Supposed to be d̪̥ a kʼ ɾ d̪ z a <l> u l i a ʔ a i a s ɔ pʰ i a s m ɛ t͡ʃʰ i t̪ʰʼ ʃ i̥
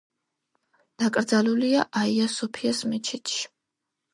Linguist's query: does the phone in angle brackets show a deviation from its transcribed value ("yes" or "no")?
no